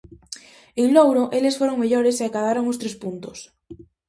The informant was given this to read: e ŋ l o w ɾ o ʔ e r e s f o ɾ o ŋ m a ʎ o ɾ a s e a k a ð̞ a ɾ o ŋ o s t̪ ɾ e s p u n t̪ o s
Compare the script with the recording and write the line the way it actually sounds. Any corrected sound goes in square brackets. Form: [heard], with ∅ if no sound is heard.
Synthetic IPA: e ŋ l o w ɾ o ʔ e [l] e s f o ɾ o ŋ m [e] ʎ o ɾ [e] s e a k a ð̞ a ɾ o ŋ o s t̪ ɾ e s p u n t̪ o s

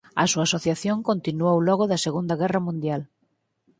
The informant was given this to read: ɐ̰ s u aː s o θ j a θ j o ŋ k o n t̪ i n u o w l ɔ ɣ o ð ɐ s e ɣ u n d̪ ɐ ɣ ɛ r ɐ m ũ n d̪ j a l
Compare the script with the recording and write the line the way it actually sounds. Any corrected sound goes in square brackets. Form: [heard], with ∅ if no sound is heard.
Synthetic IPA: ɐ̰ s u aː s o θ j a θ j o ŋ k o n t̪ i n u o w l ɔ ɣ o ð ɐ s e ɣ u n d̪ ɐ ɣ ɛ r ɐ m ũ n d̪ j a l

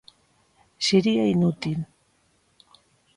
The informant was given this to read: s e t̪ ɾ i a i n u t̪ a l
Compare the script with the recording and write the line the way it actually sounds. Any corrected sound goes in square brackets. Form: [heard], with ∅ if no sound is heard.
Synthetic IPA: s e [∅] ɾ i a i n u t̪ [i] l

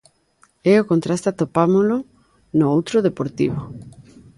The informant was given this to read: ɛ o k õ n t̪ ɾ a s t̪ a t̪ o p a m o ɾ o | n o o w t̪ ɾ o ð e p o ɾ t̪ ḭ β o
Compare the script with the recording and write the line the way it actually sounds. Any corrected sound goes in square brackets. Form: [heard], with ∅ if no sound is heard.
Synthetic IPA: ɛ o k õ n t̪ ɾ a s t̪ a t̪ o p a m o [l] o | n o o w t̪ ɾ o ð e p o ɾ t̪ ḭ β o

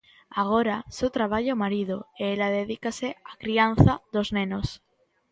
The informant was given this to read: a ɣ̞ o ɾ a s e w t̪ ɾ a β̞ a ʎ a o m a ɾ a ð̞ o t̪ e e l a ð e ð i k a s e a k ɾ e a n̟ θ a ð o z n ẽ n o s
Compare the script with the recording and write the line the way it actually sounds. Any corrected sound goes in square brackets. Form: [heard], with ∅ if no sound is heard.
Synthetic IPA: a ɣ̞ o ɾ a s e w t̪ ɾ a β̞ a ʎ a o m a ɾ [i] ð̞ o [∅] e e l a ð e ð i k a s e a k ɾ [i] a n̟ θ a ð o z n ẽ n o s

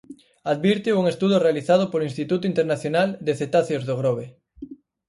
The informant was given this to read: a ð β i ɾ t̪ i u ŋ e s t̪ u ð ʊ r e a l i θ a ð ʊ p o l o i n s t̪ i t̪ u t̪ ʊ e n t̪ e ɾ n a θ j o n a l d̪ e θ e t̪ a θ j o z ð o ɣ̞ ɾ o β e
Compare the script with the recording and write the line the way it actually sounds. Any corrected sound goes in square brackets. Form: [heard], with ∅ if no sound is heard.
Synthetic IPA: a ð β i ɾ t̪ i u ŋ e s t̪ u ð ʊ r e a l i θ a ð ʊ p o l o i n s t̪ i t̪ u t̪ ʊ [i] n t̪ e ɾ n a θ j o n a l d̪ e θ e t̪ a θ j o z ð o ɣ̞ ɾ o β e

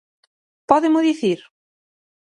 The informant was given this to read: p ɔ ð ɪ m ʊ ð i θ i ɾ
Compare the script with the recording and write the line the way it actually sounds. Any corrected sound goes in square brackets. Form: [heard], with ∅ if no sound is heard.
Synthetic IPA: p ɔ ð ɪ m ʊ ð i θ i ɾ

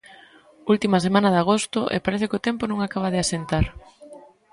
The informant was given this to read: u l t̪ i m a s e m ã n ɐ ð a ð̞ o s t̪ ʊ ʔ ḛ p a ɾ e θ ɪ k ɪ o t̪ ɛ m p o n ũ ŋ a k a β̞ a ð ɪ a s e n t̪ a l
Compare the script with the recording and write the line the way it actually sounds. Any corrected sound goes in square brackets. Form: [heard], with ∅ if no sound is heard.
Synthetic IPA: u l t̪ i m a s e m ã n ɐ ð a [ɣ̞] o s t̪ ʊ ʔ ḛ p a ɾ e θ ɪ k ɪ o t̪ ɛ m p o n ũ ŋ a k a β̞ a ð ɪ a s e n t̪ a [ɾ]

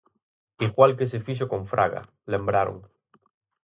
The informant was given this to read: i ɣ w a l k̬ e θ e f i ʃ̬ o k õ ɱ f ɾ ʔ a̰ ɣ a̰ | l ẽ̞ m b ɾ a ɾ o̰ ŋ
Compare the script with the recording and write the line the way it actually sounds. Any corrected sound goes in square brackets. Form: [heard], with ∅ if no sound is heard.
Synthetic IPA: i ɣ w a l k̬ e [s] e f i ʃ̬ o k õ ɱ f ɾ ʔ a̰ ɣ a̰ | l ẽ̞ m b ɾ a ɾ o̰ ŋ

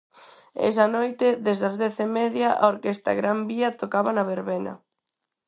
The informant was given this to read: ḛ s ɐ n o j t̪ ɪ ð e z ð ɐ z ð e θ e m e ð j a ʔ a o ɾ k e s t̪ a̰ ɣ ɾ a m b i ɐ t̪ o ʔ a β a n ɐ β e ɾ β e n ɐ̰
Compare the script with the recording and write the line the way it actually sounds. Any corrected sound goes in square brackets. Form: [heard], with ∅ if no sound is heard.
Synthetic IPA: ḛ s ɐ n o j t̪ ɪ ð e z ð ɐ z ð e θ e m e ð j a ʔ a o ɾ k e s t̪ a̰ ɣ ɾ a m b i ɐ t̪ o [k] a β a n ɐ β e ɾ β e n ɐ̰

